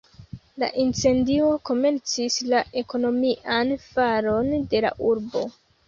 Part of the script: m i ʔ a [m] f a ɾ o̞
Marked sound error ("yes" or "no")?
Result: yes